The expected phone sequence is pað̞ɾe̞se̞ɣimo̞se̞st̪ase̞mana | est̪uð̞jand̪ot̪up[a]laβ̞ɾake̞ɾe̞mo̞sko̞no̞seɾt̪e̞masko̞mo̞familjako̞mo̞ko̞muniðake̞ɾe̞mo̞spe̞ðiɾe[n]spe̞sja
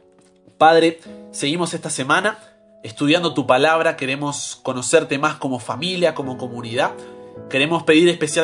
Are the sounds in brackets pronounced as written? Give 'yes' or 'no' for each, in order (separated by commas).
yes, no